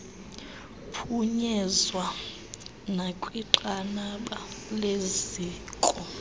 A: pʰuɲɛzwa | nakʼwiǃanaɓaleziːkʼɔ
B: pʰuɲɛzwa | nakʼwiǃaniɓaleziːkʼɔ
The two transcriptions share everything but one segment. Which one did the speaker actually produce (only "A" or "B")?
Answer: A